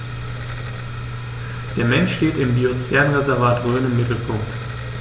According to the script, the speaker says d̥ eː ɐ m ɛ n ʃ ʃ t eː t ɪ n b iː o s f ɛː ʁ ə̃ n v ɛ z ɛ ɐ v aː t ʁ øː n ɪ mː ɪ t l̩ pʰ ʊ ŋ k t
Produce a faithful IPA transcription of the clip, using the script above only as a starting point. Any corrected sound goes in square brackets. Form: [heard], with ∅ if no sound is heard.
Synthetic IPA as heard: d̥ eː ɐ m ɛ n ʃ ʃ t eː t ɪ [m] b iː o s f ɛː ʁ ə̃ n [ʁ] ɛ z ɛ ɐ v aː t ʁ øː n ɪ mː ɪ t l̩ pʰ ʊ ŋ k t